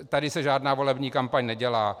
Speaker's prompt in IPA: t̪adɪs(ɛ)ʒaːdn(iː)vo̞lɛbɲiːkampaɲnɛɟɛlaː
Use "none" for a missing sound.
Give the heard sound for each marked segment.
ɛ, aː

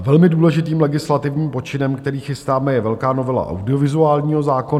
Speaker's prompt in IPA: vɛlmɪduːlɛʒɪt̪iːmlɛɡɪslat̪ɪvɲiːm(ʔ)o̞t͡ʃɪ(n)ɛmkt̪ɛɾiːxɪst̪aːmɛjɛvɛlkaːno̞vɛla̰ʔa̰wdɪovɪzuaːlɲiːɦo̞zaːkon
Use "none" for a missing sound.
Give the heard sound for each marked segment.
p, n

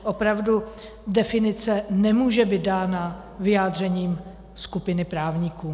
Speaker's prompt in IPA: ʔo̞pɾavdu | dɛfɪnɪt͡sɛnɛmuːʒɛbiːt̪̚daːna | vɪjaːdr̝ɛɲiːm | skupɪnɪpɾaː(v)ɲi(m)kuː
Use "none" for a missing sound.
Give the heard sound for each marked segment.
v, none

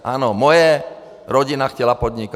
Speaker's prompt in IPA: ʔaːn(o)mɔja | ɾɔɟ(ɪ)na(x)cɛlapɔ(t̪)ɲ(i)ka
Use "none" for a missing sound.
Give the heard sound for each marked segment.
ɔ, i, x, d̪, i

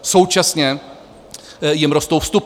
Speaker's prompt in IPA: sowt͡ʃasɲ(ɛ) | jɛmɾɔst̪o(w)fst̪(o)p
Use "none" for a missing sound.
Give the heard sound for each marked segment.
ɛ, w, u

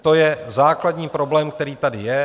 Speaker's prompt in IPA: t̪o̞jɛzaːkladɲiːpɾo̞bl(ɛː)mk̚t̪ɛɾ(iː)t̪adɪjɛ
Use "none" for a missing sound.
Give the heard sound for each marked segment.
ɛː, iː

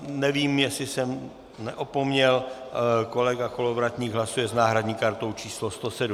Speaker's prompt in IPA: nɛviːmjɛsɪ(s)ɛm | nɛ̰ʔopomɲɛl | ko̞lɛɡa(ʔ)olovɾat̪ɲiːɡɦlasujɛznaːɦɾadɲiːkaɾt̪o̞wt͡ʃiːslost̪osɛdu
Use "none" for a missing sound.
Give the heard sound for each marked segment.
s, k

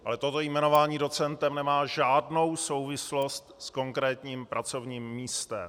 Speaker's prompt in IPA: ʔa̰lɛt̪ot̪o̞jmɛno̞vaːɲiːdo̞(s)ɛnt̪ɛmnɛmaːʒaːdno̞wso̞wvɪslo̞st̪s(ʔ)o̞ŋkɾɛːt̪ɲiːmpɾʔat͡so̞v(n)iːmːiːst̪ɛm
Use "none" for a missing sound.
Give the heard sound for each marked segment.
t͡s, k, ɲ

